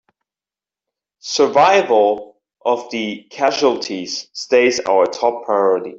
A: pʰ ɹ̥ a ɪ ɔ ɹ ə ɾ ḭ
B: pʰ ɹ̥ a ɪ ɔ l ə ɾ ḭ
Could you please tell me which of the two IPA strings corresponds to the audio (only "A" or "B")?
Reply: A